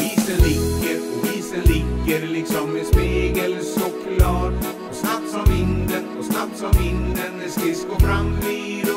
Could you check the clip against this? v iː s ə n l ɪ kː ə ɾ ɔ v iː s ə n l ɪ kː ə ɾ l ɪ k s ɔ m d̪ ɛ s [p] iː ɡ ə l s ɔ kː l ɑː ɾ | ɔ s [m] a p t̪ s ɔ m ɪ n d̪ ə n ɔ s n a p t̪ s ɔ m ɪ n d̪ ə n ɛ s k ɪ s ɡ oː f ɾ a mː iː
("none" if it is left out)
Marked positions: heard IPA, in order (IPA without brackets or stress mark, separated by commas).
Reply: p, n